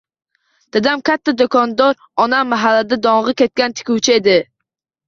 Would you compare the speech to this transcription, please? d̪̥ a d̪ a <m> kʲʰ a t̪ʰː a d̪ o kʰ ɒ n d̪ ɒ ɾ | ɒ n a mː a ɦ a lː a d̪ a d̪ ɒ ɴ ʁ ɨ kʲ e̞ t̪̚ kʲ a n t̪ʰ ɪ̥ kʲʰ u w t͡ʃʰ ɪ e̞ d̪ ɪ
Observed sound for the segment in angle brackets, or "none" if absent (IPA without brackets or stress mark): m